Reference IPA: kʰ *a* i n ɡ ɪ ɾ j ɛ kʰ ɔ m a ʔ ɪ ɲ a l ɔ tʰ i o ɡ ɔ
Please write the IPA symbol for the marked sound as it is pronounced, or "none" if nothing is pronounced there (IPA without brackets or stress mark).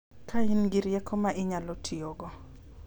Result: a